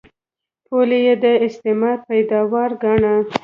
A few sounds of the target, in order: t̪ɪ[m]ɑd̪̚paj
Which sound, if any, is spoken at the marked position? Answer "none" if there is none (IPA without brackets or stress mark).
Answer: m